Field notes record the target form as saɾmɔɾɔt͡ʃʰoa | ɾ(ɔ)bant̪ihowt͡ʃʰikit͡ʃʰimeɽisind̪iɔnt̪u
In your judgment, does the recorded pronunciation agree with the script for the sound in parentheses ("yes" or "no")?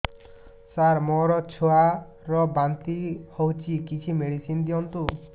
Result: yes